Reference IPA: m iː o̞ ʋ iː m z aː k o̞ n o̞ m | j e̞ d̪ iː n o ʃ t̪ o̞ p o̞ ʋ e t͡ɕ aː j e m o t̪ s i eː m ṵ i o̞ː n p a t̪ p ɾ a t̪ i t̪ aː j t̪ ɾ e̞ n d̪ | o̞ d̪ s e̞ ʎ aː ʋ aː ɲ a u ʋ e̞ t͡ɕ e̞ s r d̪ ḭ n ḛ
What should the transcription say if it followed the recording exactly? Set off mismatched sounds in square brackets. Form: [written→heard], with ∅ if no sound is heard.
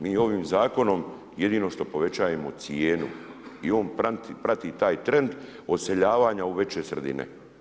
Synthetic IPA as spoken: m iː o̞ ʋ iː m z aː k o̞ n o̞ m | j e̞ d̪ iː n o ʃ t̪ o̞ p o̞ ʋ e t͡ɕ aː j e m o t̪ s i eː [m→n] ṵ i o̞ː n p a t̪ p ɾ a t̪ i t̪ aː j t̪ ɾ e̞ n d̪ | o̞ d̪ s e̞ ʎ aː ʋ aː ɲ a u ʋ e̞ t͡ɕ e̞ s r d̪ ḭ n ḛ